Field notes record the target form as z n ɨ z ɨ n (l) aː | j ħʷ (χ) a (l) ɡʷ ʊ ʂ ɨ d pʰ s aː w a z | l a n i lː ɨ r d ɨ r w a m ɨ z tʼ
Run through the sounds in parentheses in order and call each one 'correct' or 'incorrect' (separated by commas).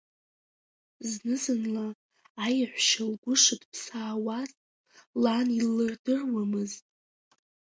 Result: correct, incorrect, correct